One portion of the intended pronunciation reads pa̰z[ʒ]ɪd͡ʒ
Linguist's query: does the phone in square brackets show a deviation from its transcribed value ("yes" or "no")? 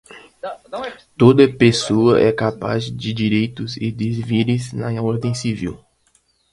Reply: yes